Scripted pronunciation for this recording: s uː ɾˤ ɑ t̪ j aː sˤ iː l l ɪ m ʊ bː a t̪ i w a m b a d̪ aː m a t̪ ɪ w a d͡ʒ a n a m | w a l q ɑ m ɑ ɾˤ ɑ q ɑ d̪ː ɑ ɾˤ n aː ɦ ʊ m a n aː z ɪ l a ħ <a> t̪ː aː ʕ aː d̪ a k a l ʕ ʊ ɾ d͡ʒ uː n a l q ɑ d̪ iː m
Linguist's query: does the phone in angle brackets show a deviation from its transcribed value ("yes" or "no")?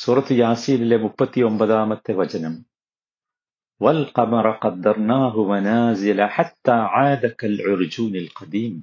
no